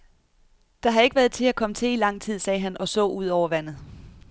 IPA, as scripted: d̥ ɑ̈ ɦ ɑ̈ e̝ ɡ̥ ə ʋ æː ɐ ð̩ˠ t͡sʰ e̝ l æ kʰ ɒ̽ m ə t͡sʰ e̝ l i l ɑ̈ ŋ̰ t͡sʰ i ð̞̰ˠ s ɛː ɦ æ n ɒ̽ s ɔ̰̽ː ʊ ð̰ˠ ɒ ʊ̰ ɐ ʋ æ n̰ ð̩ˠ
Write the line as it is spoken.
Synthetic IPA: d̥ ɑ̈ ɦ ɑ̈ e̝ ɡ̥ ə ʋ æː ɐ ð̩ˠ t͡sʰ e̝ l æ kʰ ɒ̽ m ə t͡sʰ e̝ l i l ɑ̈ ŋ̰ t͡sʰ i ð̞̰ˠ s ɛː ɦ æ n ɒ̽ s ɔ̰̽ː u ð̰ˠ ɒ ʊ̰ ɐ ʋ æ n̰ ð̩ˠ